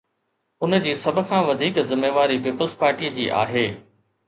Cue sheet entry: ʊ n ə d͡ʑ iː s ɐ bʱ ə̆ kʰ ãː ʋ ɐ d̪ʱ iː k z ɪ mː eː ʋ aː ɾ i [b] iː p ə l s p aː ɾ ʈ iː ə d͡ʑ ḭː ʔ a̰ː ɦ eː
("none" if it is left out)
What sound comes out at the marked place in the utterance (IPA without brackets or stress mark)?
p